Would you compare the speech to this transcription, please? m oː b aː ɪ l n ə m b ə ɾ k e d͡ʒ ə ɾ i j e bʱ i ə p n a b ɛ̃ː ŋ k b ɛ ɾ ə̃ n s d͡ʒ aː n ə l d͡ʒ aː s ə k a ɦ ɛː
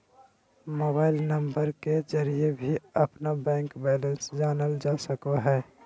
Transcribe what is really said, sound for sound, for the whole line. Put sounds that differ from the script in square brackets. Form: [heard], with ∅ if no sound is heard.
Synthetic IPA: m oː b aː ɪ l n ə m b ə ɾ k e d͡ʒ ə ɾ i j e bʱ i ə p n a b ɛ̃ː ŋ k b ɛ [l] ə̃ n s d͡ʒ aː n ə l d͡ʒ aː s ə k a ɦ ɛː

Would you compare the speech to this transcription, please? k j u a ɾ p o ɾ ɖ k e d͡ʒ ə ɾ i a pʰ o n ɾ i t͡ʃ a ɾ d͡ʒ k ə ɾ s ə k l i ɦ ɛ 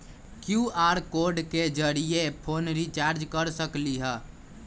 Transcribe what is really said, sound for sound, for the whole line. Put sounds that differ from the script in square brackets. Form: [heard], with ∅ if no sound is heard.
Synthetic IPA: k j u a ɾ [k] o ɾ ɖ k e d͡ʒ ə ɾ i [e] pʰ o n ɾ i t͡ʃ a ɾ d͡ʒ k ə ɾ s ə k l i ɦ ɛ

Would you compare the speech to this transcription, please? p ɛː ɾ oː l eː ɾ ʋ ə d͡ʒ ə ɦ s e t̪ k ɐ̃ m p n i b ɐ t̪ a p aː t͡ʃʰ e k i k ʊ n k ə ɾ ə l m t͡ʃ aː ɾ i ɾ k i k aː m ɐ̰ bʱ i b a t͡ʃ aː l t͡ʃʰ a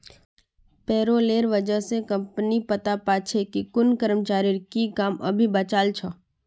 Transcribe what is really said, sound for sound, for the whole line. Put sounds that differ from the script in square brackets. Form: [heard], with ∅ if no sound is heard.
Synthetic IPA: p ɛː ɾ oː l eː ɾ ʋ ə d͡ʒ ə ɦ s e [∅] k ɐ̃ m p n i [p] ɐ t̪ a p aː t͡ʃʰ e k i k ʊ n k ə ɾ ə [∅] m t͡ʃ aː ɾ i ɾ k i k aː m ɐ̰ bʱ i b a t͡ʃ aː l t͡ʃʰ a

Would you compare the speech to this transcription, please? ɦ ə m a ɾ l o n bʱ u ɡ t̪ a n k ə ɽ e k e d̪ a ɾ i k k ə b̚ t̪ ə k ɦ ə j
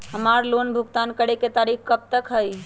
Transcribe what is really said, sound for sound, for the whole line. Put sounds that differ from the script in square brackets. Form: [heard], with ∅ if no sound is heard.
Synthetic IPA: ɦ ə m a ɾ l o n bʱ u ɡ t̪ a n k ə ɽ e k e [t̪] a ɾ i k k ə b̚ t̪ ə k ɦ ə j

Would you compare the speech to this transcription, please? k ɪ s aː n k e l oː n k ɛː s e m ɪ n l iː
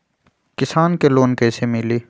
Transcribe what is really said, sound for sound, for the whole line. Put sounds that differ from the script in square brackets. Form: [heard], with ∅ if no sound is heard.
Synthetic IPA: k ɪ s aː n k e l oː n k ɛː s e m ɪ [∅] l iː

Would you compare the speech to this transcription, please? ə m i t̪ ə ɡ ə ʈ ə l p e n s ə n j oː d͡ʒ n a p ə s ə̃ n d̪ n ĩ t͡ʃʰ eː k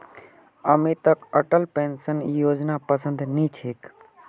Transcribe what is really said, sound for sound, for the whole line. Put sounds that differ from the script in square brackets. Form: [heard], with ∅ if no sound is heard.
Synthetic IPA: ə m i t̪ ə [k] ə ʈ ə l p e n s ə n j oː d͡ʒ n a p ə s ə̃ n d̪ n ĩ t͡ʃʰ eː k

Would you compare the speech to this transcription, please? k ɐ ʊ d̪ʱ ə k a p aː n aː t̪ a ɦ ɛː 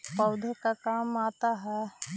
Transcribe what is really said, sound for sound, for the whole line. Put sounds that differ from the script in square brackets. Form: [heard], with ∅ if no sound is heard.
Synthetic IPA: [p] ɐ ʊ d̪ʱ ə k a [k] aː [m] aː t̪ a ɦ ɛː

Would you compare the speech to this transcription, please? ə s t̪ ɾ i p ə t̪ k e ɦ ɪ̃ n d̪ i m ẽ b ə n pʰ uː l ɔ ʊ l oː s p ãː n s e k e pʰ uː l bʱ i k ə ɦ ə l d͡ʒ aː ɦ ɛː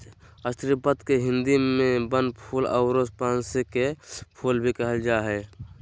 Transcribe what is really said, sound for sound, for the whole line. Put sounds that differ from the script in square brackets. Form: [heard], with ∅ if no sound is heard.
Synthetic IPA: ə s t̪ ɾ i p ə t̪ k e ɦ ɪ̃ n d̪ i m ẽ b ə n pʰ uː l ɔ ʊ [ɾ] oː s p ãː n s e k e pʰ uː l bʱ i k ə ɦ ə l d͡ʒ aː ɦ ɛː

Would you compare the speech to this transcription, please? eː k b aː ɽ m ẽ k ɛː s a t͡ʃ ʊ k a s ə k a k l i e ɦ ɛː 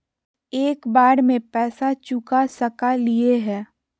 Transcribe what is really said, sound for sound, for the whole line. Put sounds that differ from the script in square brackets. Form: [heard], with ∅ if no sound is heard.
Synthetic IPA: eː k b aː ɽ m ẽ [p] ɛː s a t͡ʃ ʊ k a s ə k a [∅] l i e ɦ ɛː

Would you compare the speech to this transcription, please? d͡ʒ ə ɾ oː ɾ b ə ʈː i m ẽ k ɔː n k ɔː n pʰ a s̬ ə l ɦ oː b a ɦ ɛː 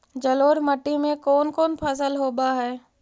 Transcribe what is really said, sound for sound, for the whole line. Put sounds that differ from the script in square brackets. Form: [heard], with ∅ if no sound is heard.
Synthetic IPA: d͡ʒ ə [l] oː ɾ [m] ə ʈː i m ẽ k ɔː n k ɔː n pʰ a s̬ ə l ɦ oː b a ɦ ɛː

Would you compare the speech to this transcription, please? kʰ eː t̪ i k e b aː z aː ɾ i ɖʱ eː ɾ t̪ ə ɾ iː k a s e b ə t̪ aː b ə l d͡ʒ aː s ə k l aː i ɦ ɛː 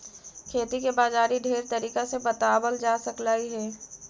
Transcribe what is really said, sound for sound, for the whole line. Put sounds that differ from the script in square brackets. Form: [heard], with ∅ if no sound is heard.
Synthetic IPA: kʰ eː t̪ i k e b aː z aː ɾ i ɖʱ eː ɾ t̪ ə ɾ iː k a s e b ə t̪ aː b ə l d͡ʒ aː s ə k l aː i ɦ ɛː

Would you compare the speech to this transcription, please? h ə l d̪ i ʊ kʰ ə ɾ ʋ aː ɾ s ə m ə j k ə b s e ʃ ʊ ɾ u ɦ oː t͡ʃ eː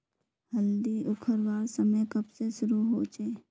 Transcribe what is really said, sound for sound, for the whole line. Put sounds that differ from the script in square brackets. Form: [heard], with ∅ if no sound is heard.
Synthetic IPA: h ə l d̪ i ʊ kʰ ə ɾ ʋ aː ɾ s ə m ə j k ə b s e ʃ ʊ ɾ u ɦ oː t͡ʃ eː

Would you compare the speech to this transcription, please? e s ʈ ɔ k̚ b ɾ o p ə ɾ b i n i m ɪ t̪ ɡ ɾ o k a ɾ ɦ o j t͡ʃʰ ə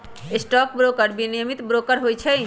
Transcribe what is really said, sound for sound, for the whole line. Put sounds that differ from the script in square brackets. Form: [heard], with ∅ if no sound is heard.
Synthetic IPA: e s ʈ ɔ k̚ b ɾ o [k] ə ɾ b i n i m [i] t̪ [b] ɾ o k [ə] ɾ ɦ o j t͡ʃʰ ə

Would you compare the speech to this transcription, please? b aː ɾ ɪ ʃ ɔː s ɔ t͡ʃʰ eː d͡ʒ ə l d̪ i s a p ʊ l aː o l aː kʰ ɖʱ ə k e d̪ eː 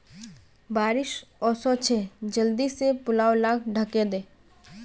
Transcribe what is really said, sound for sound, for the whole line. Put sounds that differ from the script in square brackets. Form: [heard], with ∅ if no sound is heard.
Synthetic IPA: b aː ɾ ɪ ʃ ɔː s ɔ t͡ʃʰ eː d͡ʒ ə l d̪ i s [e] p ʊ l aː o l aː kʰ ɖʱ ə k e d̪ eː

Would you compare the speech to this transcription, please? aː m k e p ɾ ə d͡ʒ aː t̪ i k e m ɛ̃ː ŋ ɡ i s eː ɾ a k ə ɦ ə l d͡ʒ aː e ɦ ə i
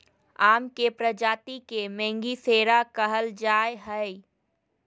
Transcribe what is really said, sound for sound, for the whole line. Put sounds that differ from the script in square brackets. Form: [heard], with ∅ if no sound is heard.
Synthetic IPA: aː m k e p ɾ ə d͡ʒ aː t̪ i k e m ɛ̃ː ŋ ɡ i s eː ɾ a k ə ɦ ə l d͡ʒ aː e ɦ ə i

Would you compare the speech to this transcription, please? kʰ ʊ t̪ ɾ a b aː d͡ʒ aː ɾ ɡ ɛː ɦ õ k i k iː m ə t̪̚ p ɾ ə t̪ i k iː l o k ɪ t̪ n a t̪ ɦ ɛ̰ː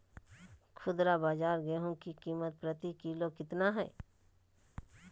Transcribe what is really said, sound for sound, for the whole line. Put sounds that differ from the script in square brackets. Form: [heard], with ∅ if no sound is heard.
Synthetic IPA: kʰ ʊ [d̪] ɾ a b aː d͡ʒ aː ɾ ɡ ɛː ɦ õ k i k iː m ə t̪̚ p ɾ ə t̪ i k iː l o k ɪ t̪ n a [∅] ɦ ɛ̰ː

